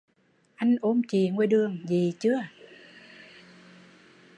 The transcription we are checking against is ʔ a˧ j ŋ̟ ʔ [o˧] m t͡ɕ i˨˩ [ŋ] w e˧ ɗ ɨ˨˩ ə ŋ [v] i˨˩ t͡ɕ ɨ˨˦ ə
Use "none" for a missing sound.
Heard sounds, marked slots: o˧, ŋ, z

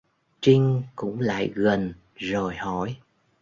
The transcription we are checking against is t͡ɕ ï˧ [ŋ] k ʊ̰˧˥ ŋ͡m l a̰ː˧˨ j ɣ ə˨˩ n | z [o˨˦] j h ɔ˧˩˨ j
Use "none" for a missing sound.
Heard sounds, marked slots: ŋ, o˨˩

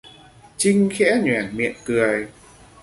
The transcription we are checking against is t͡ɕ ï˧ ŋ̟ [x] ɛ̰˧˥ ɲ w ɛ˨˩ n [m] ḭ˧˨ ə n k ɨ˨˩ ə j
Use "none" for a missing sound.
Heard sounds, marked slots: x, m

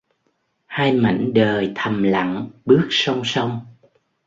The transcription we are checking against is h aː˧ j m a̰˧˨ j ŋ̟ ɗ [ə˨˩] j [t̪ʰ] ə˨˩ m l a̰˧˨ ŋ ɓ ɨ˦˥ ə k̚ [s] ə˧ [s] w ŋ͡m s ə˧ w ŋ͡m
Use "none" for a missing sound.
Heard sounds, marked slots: əː˨˩, t̪ʰ, s, none

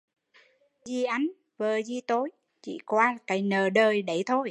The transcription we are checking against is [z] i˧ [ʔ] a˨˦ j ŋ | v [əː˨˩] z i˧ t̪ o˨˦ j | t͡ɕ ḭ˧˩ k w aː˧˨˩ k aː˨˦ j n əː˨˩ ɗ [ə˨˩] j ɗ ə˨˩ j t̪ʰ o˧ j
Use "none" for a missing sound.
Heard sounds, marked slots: z, ʔ, əː˨˩, əː˨˩

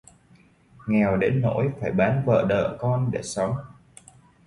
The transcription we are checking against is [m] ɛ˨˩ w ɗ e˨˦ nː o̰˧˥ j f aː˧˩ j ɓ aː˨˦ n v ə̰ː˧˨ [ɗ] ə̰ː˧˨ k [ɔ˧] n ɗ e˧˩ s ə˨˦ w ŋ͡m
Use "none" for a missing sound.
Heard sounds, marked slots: ŋ, ɗ, ɔ˧

